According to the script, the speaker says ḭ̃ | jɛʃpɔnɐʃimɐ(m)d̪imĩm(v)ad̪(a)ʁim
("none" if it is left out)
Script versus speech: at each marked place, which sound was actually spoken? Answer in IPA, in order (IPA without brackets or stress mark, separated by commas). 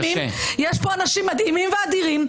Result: none, v, i